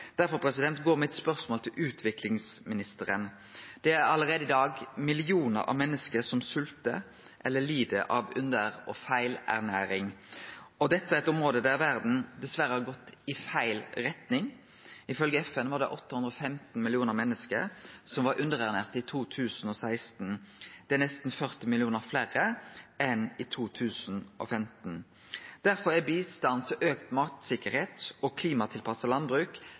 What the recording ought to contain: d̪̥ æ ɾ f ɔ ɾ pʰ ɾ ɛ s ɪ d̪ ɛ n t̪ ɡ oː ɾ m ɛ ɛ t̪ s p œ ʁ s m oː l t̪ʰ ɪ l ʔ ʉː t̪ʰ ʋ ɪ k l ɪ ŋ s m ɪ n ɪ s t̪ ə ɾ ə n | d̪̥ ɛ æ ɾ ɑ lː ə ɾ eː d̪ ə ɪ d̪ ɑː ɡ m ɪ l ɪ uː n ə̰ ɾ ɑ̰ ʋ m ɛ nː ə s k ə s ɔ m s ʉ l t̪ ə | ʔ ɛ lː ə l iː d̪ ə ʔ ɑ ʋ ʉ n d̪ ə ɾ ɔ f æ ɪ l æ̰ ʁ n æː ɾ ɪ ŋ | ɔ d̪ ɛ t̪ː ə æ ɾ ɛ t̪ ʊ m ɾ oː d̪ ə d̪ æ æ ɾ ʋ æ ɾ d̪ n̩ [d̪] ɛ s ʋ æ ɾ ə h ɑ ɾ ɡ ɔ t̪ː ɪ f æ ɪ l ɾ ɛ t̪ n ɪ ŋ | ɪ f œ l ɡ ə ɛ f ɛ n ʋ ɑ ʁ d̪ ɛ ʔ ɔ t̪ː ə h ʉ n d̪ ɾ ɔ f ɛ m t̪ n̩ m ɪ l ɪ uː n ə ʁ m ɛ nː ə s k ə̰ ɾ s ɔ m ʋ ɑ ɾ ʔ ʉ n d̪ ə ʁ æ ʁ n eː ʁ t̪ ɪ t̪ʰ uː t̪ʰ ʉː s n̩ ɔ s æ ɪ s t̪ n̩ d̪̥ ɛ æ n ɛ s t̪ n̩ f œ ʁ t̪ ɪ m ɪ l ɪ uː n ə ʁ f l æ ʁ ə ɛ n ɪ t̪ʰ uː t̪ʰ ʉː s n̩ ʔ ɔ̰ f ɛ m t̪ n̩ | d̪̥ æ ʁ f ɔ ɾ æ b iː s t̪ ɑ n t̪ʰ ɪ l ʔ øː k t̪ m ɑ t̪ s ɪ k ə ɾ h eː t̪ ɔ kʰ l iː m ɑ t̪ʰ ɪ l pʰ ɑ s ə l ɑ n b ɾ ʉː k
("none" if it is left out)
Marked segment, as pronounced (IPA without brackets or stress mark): d̪